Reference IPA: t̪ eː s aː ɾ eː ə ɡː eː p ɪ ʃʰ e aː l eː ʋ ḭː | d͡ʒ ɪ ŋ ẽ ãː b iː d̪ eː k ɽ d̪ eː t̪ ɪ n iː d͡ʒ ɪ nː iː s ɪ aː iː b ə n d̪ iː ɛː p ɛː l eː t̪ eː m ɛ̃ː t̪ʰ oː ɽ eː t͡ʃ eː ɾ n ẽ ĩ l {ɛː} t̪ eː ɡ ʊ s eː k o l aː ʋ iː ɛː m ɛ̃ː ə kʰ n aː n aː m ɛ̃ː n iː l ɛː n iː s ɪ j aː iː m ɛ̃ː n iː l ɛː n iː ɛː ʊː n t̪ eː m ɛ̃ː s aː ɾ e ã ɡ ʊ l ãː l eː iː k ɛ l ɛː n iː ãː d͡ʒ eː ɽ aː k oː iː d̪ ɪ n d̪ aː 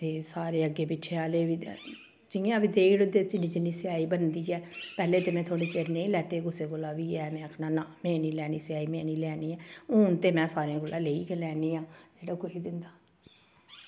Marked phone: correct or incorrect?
correct